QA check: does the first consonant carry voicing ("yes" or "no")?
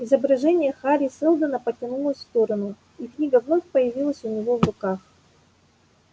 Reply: yes